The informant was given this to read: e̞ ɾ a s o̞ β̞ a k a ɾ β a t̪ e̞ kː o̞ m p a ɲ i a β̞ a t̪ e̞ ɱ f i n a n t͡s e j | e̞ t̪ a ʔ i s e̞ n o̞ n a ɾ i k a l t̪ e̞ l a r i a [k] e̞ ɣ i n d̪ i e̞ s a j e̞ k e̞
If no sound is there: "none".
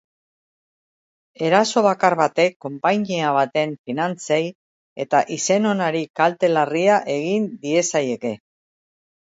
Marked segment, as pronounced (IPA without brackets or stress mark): ʔ